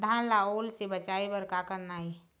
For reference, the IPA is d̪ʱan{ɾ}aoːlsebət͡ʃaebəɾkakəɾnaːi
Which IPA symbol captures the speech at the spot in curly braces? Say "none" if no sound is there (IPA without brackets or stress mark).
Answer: l